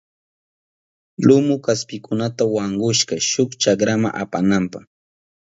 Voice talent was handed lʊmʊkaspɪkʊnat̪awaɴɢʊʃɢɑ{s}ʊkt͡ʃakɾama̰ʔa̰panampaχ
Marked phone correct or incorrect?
incorrect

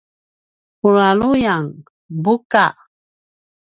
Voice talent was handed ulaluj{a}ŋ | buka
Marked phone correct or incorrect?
correct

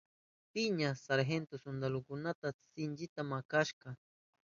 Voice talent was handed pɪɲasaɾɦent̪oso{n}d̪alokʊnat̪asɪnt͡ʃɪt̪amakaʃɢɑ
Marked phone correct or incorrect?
correct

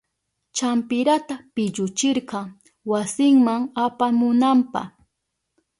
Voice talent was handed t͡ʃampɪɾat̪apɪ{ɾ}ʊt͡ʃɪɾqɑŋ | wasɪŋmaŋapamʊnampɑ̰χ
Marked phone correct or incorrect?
incorrect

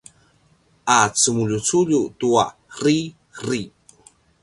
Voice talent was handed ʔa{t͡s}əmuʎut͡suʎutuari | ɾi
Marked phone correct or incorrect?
correct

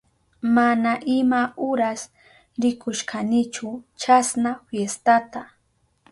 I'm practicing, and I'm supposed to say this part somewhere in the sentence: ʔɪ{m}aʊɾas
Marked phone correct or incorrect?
correct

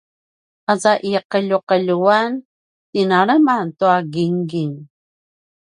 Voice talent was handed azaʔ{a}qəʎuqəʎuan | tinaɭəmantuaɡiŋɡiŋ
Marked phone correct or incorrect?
incorrect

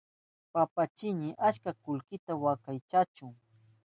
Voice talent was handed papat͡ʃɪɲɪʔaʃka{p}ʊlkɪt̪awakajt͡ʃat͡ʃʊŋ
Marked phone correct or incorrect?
incorrect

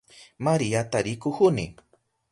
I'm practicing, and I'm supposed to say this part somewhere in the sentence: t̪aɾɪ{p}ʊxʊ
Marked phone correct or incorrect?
incorrect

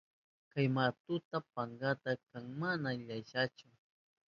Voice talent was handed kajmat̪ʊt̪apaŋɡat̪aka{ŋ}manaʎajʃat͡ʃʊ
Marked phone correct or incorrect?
correct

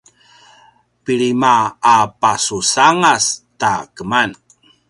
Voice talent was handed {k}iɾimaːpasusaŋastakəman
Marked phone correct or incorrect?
incorrect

